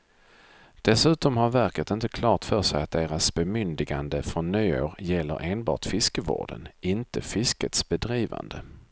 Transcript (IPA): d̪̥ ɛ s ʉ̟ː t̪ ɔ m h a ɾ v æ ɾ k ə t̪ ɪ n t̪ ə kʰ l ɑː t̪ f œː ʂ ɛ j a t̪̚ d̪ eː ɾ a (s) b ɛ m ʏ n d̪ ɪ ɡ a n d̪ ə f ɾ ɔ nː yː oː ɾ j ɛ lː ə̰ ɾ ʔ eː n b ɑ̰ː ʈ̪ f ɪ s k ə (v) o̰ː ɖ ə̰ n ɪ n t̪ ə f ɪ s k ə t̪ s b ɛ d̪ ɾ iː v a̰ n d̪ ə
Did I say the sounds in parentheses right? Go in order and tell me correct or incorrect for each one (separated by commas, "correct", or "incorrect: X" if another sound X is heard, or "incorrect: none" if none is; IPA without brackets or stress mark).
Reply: correct, correct